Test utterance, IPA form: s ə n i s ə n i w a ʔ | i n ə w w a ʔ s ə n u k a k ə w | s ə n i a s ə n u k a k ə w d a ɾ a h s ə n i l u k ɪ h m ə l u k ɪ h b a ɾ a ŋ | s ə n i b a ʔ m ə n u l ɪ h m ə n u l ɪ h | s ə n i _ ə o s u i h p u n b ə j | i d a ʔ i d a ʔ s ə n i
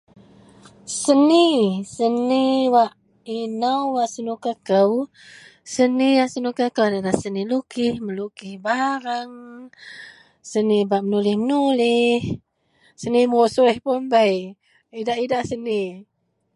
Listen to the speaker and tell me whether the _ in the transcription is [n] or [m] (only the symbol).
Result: m